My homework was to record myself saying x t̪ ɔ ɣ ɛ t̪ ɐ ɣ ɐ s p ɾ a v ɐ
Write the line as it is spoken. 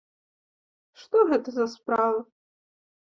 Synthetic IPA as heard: ʂ t̪ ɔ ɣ ɛ t̪ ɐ z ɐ s p ɾ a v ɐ